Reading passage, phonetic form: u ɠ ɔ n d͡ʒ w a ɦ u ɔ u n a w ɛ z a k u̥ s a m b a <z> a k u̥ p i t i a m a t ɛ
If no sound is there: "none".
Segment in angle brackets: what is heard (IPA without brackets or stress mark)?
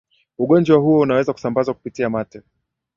z